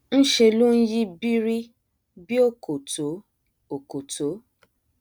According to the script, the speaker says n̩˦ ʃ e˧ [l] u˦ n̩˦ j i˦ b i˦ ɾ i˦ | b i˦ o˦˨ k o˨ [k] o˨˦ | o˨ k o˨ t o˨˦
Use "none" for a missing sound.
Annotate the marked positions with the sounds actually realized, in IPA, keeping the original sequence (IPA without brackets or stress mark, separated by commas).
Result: l, t